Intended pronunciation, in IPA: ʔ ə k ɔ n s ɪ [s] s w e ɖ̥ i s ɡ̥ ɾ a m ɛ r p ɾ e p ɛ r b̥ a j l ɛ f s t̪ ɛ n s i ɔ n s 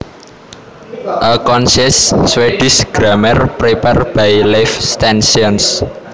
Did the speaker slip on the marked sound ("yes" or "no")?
no